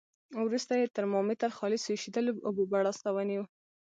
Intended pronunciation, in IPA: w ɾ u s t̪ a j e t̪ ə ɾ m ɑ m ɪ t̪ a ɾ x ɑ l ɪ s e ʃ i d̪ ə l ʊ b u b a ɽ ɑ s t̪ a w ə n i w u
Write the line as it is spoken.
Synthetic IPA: w ɾ u s t̪ a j e t̪ ə ɾ m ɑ m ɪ t̪ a ɾ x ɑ l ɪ s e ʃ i d̪ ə l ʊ b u b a ɽ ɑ s t̪ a w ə n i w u